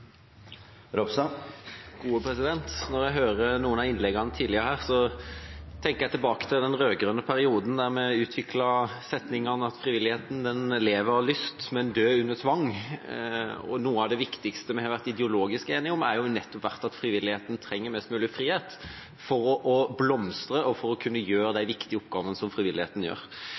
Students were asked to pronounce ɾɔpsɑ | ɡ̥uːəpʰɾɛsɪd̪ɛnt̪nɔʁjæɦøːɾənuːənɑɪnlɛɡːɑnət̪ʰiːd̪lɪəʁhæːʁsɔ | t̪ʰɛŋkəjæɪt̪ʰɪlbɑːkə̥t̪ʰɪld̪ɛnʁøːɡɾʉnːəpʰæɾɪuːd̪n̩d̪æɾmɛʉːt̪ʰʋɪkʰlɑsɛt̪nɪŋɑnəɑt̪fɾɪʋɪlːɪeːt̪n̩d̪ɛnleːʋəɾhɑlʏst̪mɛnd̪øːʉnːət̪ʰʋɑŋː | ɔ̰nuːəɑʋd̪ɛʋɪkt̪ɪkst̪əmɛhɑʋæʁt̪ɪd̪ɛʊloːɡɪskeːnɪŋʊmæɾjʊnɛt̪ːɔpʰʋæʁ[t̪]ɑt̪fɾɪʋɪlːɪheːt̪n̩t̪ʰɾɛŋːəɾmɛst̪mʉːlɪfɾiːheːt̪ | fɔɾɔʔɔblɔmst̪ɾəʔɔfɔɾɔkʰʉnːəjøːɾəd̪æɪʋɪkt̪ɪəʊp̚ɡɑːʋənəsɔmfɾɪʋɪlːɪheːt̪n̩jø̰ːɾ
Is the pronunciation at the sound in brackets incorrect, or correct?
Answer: correct